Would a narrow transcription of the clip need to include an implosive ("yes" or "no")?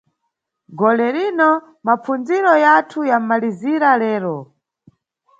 no